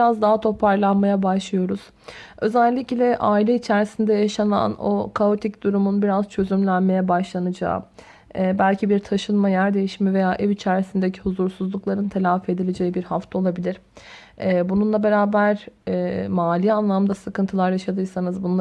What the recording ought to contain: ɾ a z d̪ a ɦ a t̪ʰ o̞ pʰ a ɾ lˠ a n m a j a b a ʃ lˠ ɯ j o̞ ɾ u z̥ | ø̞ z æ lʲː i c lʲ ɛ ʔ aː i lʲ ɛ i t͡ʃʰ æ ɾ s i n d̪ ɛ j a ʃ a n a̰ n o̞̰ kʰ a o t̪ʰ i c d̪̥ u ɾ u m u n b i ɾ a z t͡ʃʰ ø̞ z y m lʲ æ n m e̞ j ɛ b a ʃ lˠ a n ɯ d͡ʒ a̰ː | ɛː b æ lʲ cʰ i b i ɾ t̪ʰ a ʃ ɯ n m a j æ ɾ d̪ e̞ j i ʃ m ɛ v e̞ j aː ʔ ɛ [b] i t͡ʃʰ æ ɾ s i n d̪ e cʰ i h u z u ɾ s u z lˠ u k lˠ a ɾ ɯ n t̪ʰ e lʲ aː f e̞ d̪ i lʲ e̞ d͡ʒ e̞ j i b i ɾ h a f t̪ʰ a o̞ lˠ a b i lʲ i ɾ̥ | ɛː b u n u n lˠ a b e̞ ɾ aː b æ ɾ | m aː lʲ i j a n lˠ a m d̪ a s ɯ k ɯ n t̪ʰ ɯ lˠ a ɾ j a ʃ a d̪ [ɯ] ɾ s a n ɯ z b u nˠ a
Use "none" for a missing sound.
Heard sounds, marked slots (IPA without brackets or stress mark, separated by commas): v, ɯ